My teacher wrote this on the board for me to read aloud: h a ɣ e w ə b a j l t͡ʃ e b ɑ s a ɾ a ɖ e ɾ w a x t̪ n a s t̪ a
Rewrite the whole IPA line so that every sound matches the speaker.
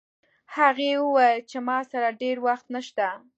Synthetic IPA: h a ɣ e w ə w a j l t͡ʃ e m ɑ s a ɾ a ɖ e ɾ w a x t̪ n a ʃ t̪ a